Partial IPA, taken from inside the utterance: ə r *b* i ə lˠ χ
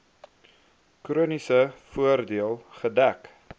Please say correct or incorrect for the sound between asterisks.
incorrect